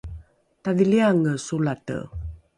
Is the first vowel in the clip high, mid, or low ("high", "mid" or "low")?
low